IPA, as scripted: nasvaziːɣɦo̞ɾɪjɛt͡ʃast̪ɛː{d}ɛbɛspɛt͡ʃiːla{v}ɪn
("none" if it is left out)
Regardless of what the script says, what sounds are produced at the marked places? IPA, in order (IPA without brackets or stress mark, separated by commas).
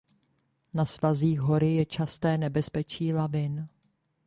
n, v